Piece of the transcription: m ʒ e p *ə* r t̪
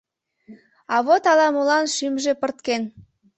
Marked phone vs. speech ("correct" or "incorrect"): correct